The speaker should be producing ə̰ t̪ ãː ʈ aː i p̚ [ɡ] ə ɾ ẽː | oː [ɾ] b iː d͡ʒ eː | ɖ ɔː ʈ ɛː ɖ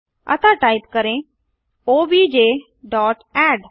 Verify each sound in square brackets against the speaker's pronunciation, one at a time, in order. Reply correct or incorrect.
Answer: incorrect: k, incorrect: none

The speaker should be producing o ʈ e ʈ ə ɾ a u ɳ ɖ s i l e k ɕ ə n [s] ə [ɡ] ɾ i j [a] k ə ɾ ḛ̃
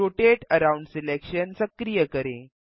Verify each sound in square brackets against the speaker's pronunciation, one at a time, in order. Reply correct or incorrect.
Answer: correct, incorrect: k, incorrect: ə

